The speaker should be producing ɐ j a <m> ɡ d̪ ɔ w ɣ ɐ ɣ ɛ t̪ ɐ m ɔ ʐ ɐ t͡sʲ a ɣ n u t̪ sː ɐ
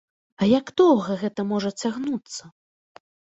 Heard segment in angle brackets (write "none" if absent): none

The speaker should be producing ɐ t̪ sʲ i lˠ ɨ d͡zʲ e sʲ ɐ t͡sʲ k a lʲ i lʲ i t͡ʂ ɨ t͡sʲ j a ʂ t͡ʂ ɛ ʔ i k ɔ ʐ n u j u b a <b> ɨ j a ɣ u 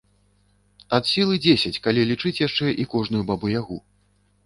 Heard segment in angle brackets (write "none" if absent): b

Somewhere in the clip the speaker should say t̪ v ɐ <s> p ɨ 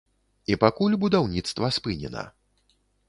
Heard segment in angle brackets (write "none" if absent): s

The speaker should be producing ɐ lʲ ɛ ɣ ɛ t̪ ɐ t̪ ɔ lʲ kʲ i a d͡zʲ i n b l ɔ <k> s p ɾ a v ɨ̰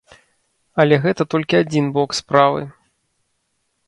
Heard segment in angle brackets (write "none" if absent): k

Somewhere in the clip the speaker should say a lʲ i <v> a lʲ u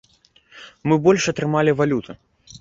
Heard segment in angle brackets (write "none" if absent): v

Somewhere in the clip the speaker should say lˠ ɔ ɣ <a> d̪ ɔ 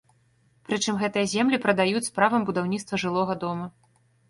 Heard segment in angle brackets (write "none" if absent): ɐ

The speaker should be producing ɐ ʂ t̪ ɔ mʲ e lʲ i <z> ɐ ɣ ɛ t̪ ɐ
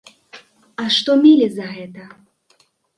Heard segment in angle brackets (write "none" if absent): z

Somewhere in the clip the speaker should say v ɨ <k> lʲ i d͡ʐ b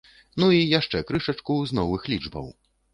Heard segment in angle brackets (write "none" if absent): x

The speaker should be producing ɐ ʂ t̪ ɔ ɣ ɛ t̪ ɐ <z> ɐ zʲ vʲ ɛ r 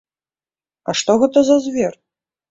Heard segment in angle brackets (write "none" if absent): z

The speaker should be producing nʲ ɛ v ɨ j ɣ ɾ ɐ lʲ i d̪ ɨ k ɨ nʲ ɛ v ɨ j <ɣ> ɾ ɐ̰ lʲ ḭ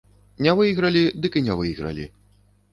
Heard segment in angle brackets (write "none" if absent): ɣ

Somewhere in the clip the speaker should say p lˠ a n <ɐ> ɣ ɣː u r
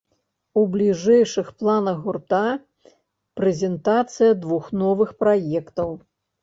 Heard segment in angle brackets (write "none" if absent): ɐ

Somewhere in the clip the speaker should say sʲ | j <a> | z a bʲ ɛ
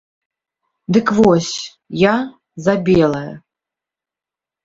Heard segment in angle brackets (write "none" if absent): a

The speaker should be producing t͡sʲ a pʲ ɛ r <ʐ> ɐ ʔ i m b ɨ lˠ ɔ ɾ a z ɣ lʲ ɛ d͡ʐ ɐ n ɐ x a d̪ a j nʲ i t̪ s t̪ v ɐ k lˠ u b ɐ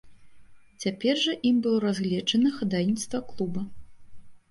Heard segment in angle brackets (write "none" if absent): ʐ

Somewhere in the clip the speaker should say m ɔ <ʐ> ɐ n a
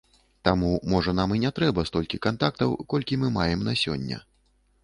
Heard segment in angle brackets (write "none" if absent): ʐ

